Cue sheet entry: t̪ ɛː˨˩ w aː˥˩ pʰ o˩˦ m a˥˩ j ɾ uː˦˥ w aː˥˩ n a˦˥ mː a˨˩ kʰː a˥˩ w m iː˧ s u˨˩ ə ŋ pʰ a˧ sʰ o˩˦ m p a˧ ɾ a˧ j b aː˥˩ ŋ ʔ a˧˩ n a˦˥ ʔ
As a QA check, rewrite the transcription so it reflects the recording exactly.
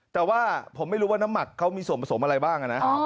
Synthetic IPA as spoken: t̪ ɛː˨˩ w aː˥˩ pʰ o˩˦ m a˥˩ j ɾ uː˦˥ w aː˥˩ n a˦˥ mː a˨˩ kʰː a˦˥ w m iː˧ s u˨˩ ə n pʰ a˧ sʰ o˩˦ m ʔ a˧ ɾ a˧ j b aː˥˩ ŋ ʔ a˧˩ n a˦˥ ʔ